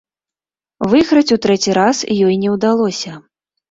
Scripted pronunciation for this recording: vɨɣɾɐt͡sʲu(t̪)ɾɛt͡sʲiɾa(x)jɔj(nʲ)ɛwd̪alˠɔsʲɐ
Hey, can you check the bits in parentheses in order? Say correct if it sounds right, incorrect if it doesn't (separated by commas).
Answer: correct, incorrect, correct